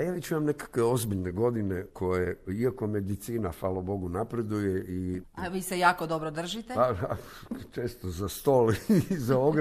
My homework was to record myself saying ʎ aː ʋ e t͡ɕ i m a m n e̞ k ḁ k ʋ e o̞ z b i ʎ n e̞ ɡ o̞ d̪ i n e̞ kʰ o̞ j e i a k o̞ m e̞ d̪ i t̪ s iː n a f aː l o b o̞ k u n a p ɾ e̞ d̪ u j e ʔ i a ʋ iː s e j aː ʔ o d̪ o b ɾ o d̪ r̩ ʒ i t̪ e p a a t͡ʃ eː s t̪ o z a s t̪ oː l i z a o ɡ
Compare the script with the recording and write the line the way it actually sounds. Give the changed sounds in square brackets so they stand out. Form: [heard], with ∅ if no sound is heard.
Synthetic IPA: [j] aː ʋ e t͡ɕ i m a m n e̞ k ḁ k ʋ e o̞ z b i ʎ n e̞ ɡ o̞ d̪ i n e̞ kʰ o̞ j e i a k o̞ m e̞ d̪ i t̪ s iː n a f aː l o b o̞ [ɡ] u n a p ɾ e̞ d̪ u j e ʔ i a ʋ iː s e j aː [k] o d̪ o b ɾ o d̪ r̩ ʒ i t̪ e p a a t͡ʃ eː s t̪ o z a s t̪ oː l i z a o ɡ